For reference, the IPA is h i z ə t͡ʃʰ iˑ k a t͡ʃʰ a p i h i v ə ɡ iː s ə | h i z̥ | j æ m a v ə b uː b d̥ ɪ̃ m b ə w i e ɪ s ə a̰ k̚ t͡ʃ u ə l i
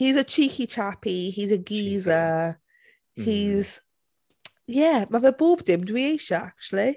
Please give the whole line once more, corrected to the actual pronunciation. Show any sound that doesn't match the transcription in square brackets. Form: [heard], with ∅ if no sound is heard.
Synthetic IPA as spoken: h i z ə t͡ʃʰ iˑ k [i] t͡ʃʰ a p i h i [z] ə ɡ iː [z] ə | h i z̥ | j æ m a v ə b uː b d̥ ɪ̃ m [d] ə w i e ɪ [ʃ] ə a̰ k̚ t͡ʃ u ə l i